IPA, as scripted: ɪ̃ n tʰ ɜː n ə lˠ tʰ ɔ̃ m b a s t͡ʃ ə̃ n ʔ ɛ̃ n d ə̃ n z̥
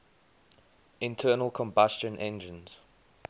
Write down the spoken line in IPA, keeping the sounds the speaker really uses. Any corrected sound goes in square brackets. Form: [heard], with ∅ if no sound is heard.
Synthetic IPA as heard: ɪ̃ n tʰ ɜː n ə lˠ [kʰ] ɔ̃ m b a s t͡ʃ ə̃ n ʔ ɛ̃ n [d͡ʒ] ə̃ n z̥